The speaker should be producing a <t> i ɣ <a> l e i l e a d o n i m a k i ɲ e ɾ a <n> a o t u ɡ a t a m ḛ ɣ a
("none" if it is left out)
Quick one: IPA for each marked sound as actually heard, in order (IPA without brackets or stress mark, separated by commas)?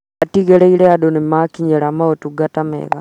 t, e, m